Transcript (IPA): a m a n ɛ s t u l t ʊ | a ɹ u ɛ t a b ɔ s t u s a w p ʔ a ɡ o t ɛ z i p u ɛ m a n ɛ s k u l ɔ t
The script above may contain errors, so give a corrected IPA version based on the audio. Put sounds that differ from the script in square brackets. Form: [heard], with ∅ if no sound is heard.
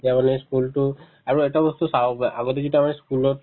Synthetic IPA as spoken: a m a n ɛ s [k] u l t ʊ | a ɹ u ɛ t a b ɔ s t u s a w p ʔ a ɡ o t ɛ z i [t] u [a] m a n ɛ s k u l ɔ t